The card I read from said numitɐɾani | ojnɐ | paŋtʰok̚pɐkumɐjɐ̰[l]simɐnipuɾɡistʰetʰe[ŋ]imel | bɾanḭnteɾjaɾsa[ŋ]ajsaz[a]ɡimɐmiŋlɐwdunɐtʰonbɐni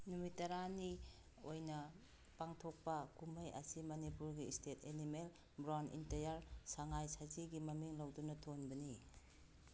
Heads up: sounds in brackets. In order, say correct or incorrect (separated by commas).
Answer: incorrect, incorrect, correct, incorrect